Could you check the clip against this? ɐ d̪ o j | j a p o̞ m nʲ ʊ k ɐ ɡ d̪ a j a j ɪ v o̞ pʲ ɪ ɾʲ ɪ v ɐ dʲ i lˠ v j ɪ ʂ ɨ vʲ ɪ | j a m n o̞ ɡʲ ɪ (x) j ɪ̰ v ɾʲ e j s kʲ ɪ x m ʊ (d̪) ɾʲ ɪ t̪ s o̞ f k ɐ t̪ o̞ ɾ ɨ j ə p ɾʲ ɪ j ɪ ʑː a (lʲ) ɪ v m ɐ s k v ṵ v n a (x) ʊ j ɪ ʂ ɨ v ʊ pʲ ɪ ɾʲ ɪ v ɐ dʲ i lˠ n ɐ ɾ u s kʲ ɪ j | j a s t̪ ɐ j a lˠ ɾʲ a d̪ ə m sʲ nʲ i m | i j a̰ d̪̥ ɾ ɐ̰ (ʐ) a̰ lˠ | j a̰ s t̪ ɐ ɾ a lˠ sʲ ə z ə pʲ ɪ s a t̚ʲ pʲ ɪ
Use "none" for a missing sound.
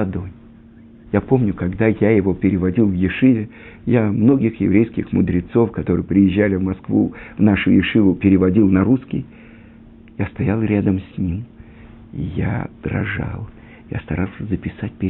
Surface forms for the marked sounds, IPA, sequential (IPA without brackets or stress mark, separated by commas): x, d̪, lʲ, ʂ, ʐ